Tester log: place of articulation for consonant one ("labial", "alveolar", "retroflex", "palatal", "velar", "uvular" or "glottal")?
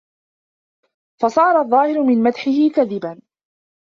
labial